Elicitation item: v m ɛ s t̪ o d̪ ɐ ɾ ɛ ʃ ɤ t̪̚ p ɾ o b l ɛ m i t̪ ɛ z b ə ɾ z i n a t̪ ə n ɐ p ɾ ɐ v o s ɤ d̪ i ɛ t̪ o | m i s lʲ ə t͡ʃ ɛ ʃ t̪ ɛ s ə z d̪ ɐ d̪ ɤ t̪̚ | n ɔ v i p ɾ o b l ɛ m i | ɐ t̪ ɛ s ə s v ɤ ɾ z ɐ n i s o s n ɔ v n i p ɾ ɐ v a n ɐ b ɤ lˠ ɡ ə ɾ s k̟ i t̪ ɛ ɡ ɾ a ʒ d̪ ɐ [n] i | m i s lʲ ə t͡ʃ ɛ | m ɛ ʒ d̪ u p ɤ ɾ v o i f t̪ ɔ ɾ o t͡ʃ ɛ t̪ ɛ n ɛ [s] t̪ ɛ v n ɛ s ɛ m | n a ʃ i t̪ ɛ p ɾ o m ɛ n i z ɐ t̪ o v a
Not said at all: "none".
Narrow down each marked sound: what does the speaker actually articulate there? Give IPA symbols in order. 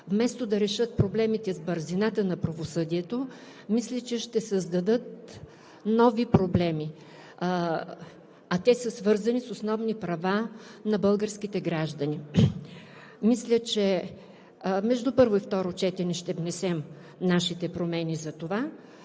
n, ʃ

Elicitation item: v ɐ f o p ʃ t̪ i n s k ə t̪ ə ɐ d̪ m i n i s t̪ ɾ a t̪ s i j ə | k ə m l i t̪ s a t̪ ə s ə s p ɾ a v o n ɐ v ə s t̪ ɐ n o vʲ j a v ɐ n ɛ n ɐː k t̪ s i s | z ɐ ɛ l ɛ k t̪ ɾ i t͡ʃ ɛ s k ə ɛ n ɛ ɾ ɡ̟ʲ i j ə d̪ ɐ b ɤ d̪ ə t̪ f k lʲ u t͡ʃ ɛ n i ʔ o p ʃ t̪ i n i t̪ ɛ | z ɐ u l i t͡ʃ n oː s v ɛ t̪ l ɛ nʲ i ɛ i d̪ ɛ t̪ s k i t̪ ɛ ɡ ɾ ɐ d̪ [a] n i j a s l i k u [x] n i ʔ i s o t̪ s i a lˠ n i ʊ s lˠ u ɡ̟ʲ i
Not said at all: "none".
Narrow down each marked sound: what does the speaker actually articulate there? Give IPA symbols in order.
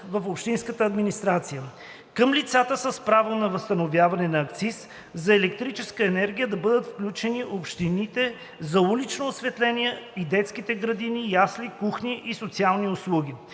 i, x

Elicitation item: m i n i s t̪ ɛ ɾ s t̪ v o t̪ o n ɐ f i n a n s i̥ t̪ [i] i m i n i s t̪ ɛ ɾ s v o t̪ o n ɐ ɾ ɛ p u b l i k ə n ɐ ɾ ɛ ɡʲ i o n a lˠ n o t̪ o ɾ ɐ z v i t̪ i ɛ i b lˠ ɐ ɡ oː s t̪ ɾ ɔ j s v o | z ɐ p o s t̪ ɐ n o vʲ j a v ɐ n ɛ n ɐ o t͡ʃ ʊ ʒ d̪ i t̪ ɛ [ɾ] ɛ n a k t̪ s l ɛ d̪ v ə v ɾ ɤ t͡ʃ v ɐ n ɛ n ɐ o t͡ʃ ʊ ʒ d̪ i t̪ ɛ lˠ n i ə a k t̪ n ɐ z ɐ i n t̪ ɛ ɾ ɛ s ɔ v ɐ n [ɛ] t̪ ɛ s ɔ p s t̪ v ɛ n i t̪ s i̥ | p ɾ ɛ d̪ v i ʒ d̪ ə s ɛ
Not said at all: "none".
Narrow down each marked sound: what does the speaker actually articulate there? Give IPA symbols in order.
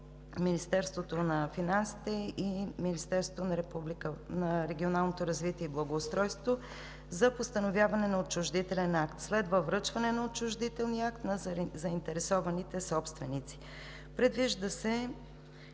ɛ, l, i

